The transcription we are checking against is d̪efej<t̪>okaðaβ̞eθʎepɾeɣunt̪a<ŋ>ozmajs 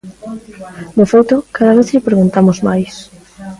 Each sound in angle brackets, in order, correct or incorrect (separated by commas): correct, incorrect